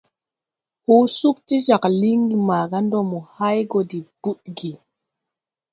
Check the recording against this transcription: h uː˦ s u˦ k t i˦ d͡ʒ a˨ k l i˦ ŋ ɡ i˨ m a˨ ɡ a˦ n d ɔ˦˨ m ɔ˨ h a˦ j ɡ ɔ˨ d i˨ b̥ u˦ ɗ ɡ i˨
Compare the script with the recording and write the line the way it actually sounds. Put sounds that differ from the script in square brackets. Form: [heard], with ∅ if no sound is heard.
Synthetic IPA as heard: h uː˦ s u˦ k t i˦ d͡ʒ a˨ k l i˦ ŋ ɡ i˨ m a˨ ɡ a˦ n d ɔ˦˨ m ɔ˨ h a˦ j ɡ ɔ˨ d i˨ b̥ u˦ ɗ ɡ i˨